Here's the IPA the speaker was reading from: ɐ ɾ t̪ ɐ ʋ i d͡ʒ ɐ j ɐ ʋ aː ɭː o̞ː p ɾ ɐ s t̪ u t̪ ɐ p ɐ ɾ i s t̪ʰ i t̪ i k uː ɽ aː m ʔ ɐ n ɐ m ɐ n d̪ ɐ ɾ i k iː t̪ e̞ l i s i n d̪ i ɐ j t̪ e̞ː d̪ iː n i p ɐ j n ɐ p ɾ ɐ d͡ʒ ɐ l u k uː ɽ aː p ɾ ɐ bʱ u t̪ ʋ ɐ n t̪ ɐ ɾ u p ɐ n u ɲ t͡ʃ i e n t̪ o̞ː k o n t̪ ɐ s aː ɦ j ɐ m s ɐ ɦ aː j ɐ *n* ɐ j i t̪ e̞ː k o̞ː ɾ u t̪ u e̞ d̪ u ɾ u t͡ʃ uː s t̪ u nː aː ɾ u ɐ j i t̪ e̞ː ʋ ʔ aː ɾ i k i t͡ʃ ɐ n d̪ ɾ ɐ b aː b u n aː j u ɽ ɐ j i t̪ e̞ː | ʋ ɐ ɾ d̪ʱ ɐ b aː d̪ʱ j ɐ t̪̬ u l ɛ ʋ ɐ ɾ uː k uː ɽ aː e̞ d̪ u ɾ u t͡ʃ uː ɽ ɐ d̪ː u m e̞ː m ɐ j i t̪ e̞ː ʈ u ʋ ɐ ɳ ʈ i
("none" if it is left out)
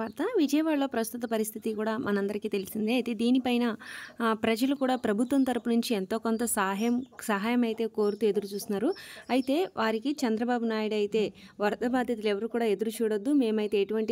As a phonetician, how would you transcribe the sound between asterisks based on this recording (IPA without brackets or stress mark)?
m